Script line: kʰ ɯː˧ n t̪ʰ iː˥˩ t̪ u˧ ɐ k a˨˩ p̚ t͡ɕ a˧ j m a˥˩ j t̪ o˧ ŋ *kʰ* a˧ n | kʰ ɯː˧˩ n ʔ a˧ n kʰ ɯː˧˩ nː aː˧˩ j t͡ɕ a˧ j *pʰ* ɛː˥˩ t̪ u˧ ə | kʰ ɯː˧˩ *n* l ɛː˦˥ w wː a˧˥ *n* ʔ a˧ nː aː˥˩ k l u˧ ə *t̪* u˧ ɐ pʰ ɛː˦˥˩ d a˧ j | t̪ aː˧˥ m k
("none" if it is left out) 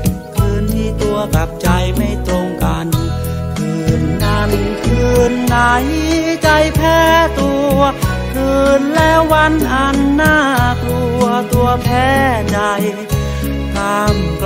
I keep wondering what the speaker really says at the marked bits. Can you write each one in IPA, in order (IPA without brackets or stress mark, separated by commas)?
k, pʰ, n, n, t̪